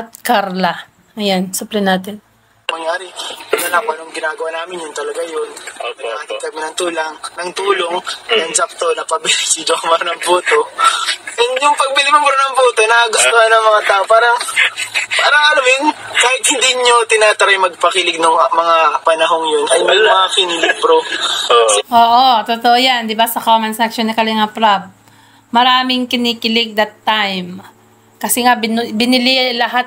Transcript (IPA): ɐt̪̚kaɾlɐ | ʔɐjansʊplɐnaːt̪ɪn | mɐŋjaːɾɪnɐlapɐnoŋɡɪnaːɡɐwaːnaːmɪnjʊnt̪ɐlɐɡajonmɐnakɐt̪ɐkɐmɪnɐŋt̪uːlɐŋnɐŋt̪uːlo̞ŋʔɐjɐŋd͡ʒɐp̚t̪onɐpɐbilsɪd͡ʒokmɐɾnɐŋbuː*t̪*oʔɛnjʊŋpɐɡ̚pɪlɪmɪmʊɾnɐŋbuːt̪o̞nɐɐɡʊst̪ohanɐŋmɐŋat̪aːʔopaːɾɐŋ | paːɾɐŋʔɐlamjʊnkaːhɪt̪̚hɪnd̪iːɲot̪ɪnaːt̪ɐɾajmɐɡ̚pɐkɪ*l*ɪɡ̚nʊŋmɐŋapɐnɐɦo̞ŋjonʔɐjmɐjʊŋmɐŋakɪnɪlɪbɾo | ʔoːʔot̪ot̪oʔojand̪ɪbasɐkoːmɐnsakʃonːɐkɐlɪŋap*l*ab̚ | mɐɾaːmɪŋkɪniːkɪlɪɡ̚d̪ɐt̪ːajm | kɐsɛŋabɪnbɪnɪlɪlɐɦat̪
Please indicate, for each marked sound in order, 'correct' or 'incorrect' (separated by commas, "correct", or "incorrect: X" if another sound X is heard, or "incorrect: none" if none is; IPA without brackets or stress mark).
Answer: correct, correct, incorrect: ɾ